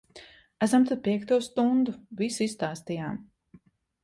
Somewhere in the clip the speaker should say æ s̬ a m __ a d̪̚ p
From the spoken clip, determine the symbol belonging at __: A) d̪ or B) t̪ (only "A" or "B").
B